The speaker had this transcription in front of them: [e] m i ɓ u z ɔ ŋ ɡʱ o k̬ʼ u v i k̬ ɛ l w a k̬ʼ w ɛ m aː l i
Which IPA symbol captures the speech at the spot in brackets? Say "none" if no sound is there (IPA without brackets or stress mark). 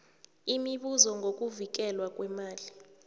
i